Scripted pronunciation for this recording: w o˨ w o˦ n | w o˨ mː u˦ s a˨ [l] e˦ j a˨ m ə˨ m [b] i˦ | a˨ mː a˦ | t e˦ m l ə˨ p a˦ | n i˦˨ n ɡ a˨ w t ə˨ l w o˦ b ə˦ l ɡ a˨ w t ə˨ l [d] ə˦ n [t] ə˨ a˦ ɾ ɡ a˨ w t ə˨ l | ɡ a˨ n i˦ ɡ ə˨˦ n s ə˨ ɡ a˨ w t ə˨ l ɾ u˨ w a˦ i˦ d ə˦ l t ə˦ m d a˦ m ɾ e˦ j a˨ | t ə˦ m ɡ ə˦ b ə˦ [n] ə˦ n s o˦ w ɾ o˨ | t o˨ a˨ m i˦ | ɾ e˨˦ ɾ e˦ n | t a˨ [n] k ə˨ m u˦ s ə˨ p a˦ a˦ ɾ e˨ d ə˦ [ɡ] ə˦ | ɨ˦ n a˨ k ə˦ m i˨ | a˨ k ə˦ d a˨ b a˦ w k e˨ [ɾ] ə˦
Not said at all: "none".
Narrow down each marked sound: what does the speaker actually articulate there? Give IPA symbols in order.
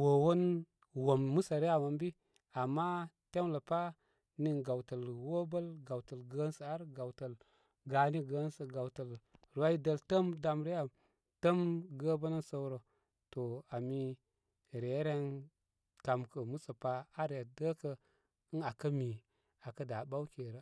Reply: ɾ, b, ɡ, s, n, m, k, ɾ

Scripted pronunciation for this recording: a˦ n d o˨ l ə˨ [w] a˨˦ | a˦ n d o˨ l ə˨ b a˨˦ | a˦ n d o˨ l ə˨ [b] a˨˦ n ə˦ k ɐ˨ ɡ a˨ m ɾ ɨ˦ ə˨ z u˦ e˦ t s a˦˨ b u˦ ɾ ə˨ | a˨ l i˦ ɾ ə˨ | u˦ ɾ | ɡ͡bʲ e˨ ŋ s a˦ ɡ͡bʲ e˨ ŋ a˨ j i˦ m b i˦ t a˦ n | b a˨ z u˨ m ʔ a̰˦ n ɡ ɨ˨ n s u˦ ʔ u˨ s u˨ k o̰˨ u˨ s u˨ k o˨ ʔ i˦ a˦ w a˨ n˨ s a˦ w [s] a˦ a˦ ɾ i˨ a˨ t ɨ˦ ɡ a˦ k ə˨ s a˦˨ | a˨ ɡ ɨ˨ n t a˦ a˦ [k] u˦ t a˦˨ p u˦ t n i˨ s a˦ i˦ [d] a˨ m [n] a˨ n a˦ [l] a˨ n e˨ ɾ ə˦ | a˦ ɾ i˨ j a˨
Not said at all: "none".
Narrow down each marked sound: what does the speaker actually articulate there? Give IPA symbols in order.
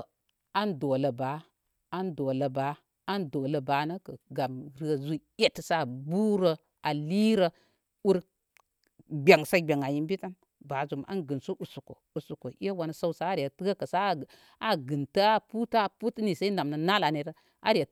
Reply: b, b, s, p, n, n, l

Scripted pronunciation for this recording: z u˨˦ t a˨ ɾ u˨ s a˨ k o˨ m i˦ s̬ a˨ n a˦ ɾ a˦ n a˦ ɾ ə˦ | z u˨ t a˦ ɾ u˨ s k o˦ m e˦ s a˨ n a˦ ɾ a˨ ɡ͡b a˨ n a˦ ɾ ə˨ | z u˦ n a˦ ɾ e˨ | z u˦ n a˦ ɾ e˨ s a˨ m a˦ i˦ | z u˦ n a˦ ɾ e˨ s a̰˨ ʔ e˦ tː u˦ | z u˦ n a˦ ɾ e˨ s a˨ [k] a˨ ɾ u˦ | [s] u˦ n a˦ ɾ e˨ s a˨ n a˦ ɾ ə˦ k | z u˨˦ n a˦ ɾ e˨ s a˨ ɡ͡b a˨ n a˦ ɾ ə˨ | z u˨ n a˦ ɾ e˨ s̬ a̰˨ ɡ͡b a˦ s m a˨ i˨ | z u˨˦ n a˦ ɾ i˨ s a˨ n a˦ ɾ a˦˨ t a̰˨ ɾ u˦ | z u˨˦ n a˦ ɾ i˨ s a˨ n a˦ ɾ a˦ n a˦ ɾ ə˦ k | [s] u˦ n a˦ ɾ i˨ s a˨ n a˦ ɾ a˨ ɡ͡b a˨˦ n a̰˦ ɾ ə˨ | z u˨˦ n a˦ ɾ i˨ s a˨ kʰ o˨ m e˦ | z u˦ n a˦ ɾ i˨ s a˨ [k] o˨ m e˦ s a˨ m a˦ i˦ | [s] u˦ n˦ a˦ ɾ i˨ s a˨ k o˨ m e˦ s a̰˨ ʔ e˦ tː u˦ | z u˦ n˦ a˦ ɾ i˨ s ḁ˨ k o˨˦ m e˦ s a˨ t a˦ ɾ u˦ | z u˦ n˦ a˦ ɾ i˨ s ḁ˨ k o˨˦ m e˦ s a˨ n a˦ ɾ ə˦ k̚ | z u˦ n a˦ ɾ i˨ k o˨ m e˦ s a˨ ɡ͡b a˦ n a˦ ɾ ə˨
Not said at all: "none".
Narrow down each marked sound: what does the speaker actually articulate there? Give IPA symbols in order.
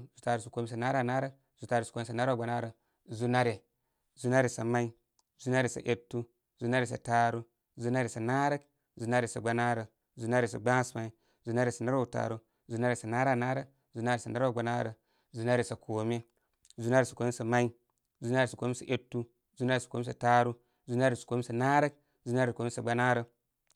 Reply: t, z, z, k, z

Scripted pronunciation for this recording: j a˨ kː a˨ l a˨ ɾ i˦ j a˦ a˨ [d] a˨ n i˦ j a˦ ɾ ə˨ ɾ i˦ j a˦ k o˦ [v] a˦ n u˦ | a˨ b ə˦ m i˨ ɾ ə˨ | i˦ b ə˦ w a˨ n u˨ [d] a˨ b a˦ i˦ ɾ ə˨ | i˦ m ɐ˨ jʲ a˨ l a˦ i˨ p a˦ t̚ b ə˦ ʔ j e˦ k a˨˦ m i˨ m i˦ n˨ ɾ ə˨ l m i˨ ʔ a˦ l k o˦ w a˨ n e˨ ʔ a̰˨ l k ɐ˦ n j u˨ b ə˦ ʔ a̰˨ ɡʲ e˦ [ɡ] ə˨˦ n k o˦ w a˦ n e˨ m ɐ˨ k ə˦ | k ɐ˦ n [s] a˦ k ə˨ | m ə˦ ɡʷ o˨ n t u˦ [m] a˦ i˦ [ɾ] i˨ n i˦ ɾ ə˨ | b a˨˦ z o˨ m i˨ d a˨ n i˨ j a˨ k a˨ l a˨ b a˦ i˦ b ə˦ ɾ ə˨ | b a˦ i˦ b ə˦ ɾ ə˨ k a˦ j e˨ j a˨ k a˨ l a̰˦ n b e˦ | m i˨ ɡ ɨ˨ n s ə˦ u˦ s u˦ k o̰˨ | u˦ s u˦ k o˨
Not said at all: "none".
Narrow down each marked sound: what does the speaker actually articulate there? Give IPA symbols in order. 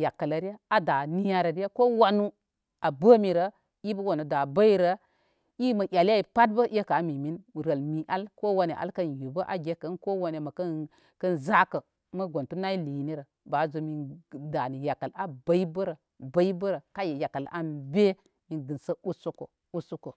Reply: d, w, d, k, z, n, l

